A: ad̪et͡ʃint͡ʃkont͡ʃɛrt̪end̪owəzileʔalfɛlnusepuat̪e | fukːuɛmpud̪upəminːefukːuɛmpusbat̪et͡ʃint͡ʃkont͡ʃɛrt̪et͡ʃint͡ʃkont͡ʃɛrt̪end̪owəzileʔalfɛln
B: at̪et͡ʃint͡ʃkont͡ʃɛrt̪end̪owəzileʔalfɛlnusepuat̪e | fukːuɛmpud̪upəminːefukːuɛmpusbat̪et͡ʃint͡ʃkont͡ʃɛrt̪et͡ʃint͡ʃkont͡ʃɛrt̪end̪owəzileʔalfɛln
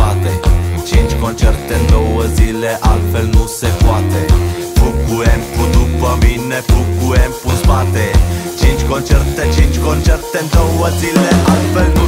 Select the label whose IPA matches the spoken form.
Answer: B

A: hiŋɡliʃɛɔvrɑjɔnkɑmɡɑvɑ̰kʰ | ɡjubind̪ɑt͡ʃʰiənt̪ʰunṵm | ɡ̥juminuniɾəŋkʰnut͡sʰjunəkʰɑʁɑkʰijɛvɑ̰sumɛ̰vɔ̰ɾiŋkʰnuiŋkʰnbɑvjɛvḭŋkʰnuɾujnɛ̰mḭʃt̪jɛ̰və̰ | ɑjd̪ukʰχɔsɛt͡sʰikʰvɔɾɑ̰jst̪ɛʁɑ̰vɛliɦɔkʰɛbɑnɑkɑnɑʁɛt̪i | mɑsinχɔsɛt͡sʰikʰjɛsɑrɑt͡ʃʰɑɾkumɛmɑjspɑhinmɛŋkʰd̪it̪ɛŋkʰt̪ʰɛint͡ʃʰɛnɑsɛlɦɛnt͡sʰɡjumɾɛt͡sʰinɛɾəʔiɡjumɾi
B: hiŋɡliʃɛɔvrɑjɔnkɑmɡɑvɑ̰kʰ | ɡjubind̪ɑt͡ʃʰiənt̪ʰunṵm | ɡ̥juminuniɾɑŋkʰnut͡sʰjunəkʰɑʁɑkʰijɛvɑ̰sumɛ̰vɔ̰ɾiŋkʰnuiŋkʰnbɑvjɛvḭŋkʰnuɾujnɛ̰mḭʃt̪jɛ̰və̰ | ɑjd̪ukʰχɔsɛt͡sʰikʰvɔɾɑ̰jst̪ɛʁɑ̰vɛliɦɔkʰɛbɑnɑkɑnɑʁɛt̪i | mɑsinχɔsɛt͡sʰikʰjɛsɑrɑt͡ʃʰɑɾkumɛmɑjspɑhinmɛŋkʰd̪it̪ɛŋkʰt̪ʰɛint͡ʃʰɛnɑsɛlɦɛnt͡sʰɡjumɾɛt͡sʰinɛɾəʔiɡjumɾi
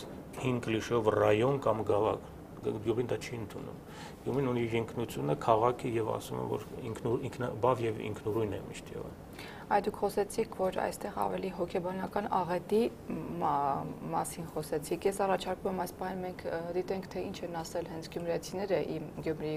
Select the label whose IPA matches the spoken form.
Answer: A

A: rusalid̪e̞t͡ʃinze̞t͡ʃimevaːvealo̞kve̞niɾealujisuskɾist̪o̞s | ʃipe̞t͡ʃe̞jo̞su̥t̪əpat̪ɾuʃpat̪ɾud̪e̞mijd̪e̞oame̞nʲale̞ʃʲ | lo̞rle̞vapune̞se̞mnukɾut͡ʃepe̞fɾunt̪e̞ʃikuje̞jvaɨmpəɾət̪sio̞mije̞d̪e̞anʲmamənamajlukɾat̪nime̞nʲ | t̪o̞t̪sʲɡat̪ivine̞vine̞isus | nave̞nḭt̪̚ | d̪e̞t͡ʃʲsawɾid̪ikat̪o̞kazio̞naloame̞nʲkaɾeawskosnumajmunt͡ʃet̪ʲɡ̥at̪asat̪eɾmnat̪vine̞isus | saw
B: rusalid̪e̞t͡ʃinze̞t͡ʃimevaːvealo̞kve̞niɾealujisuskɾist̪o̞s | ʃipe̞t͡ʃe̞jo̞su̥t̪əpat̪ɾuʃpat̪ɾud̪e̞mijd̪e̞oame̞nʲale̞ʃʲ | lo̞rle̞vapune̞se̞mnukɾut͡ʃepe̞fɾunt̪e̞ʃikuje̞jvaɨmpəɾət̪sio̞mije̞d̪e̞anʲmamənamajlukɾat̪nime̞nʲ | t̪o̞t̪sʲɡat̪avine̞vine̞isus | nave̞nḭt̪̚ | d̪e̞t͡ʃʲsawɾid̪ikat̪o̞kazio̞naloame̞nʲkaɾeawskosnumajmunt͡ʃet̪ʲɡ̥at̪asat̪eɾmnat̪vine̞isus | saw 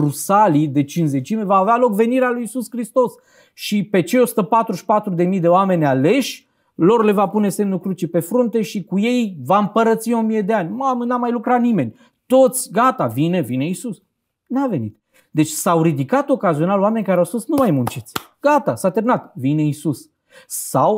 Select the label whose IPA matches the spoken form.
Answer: B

